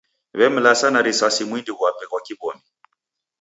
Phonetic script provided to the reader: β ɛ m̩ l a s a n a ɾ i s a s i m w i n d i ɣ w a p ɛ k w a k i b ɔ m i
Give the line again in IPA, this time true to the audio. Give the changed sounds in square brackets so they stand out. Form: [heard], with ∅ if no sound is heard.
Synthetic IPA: β ɛ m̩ l a s a n a ɾ i s a s i m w i n d i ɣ w a p ɛ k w a k i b ɔ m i